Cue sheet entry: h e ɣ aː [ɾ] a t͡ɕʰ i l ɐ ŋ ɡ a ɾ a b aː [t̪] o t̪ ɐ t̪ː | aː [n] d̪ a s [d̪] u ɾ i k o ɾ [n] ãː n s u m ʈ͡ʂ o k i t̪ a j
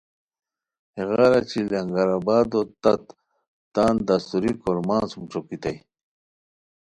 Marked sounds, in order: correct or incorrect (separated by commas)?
correct, incorrect, correct, incorrect, incorrect